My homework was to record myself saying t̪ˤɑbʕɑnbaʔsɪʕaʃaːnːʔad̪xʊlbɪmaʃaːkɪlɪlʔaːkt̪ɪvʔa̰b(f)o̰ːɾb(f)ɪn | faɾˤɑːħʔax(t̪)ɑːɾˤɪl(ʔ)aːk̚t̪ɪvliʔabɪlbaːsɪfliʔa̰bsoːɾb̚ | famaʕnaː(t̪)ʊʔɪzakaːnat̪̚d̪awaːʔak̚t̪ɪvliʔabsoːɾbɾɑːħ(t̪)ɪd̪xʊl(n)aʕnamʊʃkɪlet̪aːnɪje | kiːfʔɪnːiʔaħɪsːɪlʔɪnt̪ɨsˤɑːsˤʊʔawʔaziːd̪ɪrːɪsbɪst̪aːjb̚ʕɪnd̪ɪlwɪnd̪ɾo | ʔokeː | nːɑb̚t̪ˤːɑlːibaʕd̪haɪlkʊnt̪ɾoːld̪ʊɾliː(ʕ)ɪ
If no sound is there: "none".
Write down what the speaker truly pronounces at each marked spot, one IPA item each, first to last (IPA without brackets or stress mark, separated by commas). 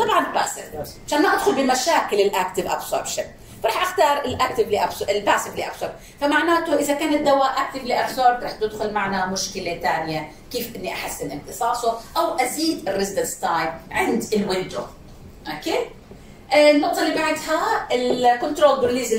s, ʃ, t̪, ʔ, t̪, t̪, m, z